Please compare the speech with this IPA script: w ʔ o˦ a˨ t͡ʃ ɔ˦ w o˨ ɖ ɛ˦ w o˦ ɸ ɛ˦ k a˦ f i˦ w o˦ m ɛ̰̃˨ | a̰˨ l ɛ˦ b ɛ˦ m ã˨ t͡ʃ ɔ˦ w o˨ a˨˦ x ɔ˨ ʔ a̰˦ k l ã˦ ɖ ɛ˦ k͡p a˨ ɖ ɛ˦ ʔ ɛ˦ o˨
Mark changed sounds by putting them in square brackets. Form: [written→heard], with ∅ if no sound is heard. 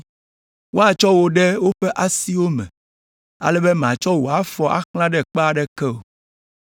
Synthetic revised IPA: w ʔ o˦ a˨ t͡ʃ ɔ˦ w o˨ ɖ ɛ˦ w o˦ ɸ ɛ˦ [k→ʔ] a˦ [f→s] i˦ w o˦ m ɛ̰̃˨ | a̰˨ l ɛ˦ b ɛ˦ m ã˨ t͡ʃ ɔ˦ w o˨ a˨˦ [x→f] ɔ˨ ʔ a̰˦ k l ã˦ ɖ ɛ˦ k͡p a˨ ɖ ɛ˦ [ʔ→k] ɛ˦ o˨